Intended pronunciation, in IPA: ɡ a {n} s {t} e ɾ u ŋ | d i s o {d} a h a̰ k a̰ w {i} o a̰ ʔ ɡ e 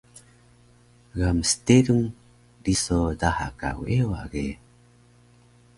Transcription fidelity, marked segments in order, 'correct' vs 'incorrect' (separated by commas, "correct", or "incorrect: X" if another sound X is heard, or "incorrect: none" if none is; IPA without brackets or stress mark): incorrect: m, correct, correct, incorrect: e